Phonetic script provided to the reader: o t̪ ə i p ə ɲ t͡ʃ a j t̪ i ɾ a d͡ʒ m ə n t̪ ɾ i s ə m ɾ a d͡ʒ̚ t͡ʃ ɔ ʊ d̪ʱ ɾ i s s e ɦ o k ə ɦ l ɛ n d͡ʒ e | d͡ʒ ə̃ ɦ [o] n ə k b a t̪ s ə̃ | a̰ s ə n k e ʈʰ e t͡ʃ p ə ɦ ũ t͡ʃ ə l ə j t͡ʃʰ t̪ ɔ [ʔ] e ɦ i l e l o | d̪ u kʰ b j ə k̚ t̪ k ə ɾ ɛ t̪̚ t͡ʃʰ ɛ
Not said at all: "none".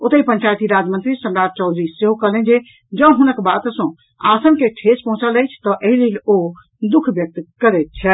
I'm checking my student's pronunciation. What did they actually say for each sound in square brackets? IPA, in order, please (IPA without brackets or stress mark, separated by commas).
u, ʔ